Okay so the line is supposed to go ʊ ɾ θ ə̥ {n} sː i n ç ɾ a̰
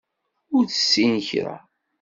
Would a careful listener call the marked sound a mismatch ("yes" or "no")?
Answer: yes